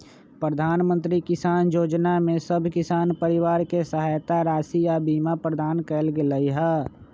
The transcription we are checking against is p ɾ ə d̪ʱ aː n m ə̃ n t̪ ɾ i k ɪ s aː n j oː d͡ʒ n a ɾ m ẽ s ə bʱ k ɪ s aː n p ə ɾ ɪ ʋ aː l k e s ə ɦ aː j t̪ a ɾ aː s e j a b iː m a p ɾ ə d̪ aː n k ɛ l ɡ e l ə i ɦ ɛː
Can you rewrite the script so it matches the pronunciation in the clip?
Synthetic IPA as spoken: p ɾ ə d̪ʱ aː n m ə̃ n t̪ ɾ i k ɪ s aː n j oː d͡ʒ n a m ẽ s ə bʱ k ɪ s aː n p ə ɾ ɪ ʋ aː ɾ k e s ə ɦ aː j t̪ a ɾ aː s i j a b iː m a p ɾ ə d̪ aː n k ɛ l ɡ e l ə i ɦ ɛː